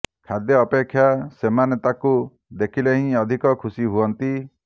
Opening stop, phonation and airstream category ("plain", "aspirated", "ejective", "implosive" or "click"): aspirated